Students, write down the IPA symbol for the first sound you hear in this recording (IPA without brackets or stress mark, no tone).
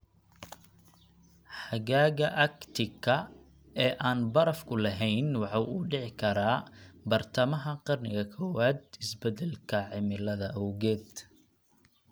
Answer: ħ